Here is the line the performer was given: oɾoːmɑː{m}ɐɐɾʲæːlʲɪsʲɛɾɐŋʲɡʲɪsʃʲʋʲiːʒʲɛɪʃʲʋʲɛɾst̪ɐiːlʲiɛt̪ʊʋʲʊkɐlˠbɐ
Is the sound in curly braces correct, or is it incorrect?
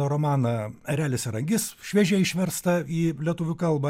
incorrect